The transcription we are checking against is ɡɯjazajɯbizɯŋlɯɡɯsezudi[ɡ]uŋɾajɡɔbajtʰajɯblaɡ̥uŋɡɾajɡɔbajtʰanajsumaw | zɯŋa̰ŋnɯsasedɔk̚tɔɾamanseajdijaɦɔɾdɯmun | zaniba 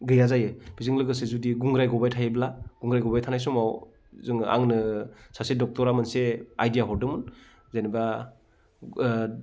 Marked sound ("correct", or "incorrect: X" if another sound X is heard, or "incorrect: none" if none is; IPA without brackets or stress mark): correct